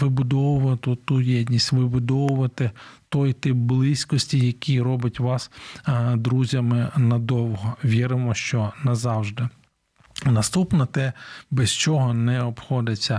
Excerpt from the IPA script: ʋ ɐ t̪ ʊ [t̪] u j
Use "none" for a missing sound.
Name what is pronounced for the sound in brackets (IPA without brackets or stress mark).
t̪